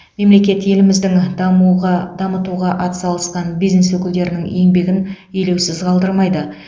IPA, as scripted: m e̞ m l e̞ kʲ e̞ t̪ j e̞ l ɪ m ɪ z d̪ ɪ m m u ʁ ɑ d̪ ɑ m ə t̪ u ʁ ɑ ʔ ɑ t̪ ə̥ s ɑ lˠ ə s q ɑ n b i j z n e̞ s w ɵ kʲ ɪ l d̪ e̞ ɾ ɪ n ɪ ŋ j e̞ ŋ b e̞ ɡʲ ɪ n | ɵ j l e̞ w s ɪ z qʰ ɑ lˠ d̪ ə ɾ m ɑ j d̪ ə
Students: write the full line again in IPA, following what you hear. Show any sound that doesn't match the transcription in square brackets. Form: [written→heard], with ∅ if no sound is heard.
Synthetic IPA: m e̞ m l e̞ kʲ e̞ t̪ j e̞ l ɪ m ɪ z d̪ ɪ [m→ŋ] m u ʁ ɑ d̪ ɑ m ə t̪ u ʁ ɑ ʔ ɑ t̪ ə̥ s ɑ lˠ ə s q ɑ n b i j z n e̞ s w ɵ kʲ ɪ l d̪ e̞ ɾ ɪ n ɪ ŋ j e̞ ŋ b e̞ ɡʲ ɪ n | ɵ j l e̞ w s ɪ z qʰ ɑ lˠ d̪ ə ɾ m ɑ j d̪ ə

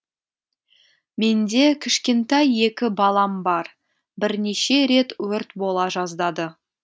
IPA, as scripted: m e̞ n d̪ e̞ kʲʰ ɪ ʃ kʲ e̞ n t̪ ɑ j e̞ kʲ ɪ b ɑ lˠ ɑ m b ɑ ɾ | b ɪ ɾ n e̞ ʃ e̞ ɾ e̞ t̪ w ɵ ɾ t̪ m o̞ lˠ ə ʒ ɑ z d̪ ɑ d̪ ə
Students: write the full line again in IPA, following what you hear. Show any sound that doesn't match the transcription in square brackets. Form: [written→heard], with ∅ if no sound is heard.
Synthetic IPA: m e̞ n d̪ e̞ kʲʰ ɪ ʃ kʲ e̞ n t̪ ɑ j e̞ kʲ ɪ b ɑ lˠ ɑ m b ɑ ɾ | b ɪ ɾ n e̞ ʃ e̞ ɾ e̞ t̪ w ɵ ɾ t̪ [m→b] o̞ lˠ [ə→ɑ] ʒ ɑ z d̪ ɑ d̪ ə

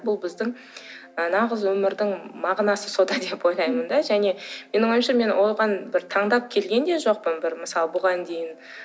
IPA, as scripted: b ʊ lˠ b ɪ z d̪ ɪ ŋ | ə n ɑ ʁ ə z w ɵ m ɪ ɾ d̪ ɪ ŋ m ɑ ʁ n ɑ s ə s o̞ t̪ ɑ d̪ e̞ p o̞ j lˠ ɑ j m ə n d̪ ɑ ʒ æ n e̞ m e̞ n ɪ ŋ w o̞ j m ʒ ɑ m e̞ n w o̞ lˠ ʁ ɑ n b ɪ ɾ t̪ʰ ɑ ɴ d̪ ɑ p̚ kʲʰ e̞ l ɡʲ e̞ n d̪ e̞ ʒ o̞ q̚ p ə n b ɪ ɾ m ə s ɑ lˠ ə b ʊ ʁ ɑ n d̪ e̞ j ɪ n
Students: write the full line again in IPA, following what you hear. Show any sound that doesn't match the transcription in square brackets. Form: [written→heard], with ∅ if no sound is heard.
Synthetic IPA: b ʊ lˠ b ɪ z d̪ ɪ ŋ | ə n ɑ ʁ ə z w ɵ m ɪ ɾ d̪ ɪ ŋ m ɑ ʁ n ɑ s ə s o̞ [t̪→d̪] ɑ d̪ e̞ p o̞ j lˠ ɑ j m ə n d̪ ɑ ʒ æ n e̞ m e̞ n ɪ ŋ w o̞ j m [ʒ→ʃ] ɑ m e̞ n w o̞ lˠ ʁ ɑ n b ɪ ɾ t̪ʰ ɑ ɴ d̪ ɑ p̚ kʲʰ e̞ l ɡʲ e̞ n d̪ e̞ ʒ o̞ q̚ p ə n b ɪ ɾ m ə s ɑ lˠ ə b ʊ ʁ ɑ n d̪ e̞ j ɪ n

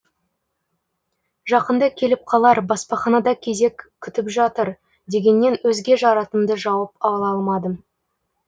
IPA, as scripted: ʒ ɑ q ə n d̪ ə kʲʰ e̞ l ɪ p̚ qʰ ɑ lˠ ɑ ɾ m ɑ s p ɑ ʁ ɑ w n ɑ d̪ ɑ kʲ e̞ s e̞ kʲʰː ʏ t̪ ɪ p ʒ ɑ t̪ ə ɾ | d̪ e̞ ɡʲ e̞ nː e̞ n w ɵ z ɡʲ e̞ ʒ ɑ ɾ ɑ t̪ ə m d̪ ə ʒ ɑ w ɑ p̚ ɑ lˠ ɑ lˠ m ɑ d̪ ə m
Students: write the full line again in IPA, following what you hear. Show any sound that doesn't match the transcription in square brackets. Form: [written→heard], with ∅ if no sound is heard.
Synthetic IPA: ʒ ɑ q ə n d̪ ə kʲʰ e̞ l ɪ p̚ qʰ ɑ lˠ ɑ ɾ [m→b] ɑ s p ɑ [ʁ→χ] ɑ [w→∅] n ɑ d̪ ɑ [kʲ→kʲʰ] e̞ [s→z] e̞ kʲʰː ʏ t̪ ɪ p ʒ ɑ t̪ ə ɾ | d̪ e̞ ɡʲ e̞ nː e̞ n w ɵ z ɡʲ e̞ ʒ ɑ ɾ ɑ t̪ ə m d̪ ə ʒ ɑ w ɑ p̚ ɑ lˠ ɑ lˠ m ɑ d̪ ə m

